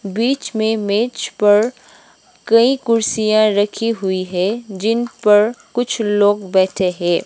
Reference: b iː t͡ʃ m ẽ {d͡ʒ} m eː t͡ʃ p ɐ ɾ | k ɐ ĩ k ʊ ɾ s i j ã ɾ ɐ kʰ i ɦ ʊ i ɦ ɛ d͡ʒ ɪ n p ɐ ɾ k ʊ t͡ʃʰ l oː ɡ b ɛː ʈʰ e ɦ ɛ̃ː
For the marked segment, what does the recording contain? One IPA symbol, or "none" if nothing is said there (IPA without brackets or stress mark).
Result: none